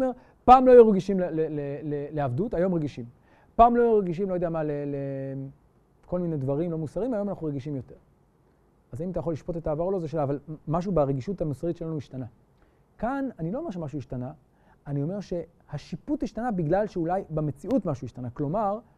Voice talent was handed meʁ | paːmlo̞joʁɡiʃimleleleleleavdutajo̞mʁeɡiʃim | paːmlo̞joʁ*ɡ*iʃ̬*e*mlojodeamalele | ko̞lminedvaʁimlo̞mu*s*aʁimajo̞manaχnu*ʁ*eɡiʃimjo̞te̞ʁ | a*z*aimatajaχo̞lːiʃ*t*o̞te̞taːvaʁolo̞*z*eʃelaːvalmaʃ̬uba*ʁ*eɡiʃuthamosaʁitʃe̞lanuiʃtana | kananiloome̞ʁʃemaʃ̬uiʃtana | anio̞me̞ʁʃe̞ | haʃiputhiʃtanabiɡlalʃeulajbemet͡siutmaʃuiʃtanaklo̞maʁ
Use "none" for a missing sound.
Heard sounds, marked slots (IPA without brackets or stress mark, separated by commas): ɡ, i, s, ʁ, z, p, z, ʁ